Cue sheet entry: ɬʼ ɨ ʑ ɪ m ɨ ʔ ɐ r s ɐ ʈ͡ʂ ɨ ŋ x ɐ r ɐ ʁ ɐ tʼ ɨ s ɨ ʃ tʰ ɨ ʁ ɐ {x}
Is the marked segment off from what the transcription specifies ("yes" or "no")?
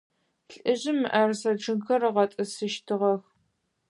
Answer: no